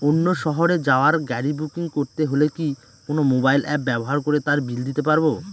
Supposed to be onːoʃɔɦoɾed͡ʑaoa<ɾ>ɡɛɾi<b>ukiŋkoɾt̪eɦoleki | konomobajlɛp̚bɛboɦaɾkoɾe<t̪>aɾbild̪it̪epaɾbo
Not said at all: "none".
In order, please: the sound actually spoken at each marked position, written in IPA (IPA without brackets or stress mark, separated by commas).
ɾ, b, t̪